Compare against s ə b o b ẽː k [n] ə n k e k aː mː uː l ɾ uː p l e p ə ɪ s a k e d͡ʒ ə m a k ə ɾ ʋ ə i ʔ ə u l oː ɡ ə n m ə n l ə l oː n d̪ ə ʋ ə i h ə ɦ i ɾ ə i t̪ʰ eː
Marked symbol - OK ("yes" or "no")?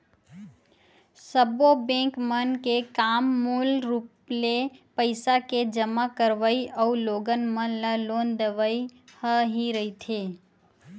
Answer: no